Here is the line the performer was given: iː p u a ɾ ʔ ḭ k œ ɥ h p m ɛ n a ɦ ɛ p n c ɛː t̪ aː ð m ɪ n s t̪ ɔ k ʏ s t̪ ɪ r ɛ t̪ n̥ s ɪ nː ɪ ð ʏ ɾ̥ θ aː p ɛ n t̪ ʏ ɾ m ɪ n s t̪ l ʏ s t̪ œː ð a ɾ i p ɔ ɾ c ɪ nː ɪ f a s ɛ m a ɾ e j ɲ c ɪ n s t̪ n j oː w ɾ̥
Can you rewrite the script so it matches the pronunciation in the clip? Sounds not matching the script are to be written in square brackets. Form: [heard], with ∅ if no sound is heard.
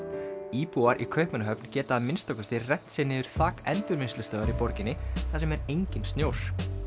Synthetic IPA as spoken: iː p u a ɾ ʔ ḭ [kʰ] œ ɥ h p m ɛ n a ɦ [œ] p n c ɛː t̪ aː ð m ɪ n s t̪ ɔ k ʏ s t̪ ɪ r ɛ t̪ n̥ s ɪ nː ɪ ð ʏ ɾ̥ θ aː [k] ɛ n t̪ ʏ ɾ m ɪ n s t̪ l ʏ s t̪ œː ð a ɾ i p ɔ ɾ c ɪ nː ɪ [θ] a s ɛ m [ɛ] ɾ e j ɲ c ɪ n s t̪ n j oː w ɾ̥